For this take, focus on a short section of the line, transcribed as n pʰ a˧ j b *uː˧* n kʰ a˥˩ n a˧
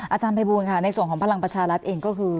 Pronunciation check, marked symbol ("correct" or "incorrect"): correct